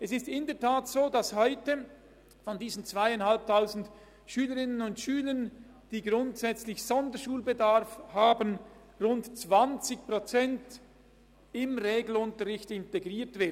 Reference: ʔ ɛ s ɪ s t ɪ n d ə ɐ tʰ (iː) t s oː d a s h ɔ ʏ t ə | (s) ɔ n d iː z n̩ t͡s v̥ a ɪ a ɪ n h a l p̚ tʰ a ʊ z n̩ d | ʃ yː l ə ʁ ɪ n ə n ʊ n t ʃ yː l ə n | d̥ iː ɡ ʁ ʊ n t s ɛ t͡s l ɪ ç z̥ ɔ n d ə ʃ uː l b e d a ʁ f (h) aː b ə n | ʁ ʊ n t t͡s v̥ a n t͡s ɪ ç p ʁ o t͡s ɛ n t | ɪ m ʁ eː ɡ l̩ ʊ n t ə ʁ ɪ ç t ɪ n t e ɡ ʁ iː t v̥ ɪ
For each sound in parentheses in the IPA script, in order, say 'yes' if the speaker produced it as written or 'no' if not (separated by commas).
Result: no, no, yes